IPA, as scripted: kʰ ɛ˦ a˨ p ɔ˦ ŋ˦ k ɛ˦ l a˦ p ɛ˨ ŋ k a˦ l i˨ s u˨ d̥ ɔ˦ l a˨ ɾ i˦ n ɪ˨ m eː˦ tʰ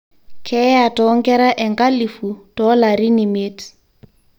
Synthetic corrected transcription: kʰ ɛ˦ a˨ t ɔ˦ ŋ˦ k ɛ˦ ɾ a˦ ʔ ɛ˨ ŋ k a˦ l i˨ f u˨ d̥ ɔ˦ l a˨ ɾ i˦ n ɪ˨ m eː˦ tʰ